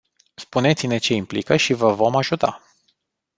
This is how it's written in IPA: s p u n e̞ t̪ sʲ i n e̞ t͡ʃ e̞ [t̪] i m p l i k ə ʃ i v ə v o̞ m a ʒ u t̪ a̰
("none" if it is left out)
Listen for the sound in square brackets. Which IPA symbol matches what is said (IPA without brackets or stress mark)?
none